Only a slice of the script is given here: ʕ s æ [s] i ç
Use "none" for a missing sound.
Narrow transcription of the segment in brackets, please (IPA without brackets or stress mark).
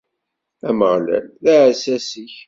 s